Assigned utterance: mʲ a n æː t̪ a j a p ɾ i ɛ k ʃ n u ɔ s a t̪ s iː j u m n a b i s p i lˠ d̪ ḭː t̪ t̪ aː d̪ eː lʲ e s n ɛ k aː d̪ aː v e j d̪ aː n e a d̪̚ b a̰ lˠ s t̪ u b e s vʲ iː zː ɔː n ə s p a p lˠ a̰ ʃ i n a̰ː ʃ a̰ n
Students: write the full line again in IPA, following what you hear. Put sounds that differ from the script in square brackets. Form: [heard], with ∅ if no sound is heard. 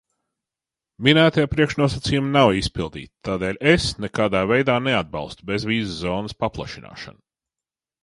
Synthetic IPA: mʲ [i] n æː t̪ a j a p ɾ i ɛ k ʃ n u ɔ s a t̪ s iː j u m n a [w] i s p i lˠ d̪ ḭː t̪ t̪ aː d̪ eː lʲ e s n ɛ k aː d̪ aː v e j d̪ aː n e a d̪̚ b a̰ lˠ s t̪ u b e [z] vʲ iː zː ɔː n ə s p a p lˠ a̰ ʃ i n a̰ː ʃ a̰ n